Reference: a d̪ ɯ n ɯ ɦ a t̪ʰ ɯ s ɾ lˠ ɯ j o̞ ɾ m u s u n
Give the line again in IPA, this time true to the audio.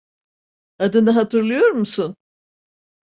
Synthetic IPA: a d̪ ɯ n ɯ ɦ a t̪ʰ ɯ ɾ lˠ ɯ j o̞ ɾ m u s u n